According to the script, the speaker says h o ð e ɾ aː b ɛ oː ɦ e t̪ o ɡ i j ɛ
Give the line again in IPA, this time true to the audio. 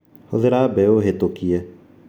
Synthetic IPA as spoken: h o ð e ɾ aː b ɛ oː ɦ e t̪ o k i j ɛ